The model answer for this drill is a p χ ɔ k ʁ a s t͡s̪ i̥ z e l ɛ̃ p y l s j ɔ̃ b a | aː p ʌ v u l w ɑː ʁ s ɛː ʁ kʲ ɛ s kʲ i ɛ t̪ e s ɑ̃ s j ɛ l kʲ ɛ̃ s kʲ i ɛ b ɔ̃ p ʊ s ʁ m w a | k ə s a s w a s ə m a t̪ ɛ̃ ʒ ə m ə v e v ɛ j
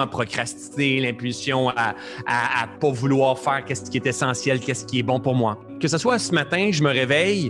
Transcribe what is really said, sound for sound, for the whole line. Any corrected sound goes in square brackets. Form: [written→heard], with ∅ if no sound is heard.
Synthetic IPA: a p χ ɔ k ʁ a s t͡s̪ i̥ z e l ɛ̃ p y l s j ɔ̃ [b→∅] a | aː p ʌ v u l w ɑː ʁ [s→f] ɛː ʁ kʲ ɛ s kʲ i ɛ t̪ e s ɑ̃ s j ɛ l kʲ [ɛ̃→ɛ] s kʲ i ɛ b ɔ̃ p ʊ [s→∅] ʁ m w a | k ə s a s w a s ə m a t̪ ɛ̃ ʒ ə m ə [v→ʁ] e v ɛ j